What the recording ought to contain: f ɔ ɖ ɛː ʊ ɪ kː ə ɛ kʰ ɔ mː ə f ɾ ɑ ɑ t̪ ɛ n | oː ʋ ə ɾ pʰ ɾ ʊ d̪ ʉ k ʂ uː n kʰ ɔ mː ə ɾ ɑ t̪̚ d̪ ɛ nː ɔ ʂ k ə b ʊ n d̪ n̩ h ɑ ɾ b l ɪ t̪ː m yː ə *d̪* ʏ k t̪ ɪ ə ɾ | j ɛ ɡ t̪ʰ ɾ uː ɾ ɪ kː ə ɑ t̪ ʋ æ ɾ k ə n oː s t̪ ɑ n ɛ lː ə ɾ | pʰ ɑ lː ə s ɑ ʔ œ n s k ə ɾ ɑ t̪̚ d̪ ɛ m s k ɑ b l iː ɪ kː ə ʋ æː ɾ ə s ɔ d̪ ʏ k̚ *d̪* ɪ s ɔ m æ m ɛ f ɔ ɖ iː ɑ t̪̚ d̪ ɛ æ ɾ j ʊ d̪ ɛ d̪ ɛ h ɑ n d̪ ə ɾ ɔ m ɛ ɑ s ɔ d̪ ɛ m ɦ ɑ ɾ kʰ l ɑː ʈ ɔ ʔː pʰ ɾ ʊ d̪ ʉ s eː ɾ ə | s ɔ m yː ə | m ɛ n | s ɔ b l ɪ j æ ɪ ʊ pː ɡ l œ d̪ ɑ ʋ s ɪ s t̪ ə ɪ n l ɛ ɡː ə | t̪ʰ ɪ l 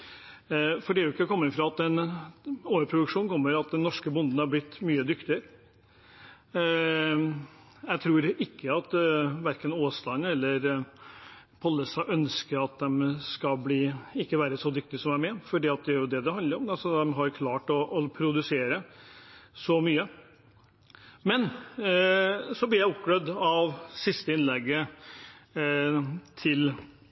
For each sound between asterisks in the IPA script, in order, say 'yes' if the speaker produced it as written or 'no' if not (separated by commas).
yes, no